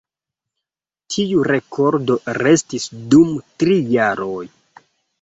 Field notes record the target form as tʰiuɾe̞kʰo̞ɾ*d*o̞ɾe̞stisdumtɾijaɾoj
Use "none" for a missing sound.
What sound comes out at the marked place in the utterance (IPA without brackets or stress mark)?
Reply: d